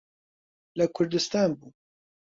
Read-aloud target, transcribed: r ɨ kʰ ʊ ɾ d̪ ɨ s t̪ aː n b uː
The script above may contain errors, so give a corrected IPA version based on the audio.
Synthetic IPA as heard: l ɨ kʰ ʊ ɾ d̪ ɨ s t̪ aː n b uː

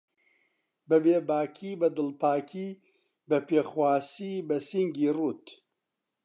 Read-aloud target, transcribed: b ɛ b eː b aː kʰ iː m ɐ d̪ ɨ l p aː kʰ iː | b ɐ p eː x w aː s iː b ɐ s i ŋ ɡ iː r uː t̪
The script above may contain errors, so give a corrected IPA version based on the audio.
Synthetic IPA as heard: b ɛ b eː b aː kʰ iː b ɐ d̪ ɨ l p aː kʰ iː | b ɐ p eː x w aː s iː b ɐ s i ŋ ɡ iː r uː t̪

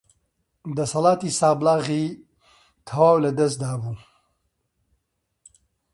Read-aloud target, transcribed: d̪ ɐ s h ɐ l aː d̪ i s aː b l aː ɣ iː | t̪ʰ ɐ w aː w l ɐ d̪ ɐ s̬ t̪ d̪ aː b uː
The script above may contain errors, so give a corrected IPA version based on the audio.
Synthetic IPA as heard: d̪ ɐ s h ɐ l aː t̪ i s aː b l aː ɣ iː | t̪ʰ ɐ w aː w l ɐ d̪ ɐ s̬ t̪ d̪ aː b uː

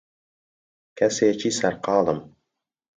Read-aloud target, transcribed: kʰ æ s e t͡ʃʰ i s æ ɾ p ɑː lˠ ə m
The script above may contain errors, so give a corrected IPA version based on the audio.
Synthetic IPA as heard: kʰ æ s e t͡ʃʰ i s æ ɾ q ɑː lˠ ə m

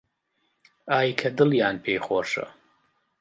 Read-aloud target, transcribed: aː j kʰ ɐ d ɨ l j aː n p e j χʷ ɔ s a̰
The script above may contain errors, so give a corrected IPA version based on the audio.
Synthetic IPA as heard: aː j kʰ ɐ d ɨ l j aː n pʰ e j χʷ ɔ ʂ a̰

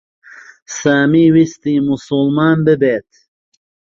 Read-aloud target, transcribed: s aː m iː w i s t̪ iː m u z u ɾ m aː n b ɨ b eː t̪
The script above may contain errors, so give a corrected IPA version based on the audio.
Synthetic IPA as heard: s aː m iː w i s t̪ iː m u s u l m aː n b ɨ b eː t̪

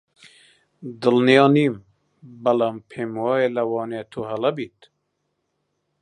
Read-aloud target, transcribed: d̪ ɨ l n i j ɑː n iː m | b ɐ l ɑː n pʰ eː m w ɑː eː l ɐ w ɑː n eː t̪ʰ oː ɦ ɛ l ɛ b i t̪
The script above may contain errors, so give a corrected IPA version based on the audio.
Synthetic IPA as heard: d̪ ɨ l n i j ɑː n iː m | b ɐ l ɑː m pʰ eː m w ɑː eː l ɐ w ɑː n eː t̪ʰ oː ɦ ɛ l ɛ b i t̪

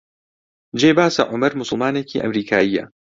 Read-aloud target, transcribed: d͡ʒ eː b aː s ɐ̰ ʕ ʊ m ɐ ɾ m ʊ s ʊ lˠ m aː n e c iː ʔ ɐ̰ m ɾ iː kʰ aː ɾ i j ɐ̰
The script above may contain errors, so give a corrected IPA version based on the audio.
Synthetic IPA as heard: d͡ʒ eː b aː s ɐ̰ ʕ ʊ m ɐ ɾ m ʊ s ʊ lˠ m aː n e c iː ʔ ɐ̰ m ɾ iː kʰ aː i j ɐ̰

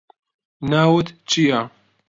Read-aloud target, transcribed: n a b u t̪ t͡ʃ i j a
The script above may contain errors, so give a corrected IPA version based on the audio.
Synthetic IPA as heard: n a w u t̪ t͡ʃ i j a

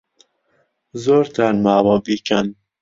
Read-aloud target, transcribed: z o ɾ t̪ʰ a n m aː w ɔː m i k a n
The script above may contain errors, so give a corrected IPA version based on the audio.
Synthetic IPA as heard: z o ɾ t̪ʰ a n m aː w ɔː b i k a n

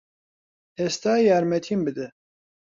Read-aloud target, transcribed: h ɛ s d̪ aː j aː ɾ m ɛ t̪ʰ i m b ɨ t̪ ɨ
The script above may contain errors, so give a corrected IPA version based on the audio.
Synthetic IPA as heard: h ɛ s t̪ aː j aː ɾ m ɛ t̪ʰ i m b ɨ d̪ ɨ

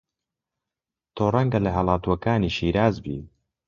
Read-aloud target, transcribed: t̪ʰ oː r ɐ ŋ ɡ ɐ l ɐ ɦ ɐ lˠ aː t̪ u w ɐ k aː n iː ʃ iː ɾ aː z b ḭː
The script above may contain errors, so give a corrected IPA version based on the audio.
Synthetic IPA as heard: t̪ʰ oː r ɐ ŋ ɡ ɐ l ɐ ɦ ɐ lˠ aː t̪ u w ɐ k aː n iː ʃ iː ɾ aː z b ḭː

